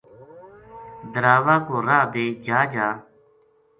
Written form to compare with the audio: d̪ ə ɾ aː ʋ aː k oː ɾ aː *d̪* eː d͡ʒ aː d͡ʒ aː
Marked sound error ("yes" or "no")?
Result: no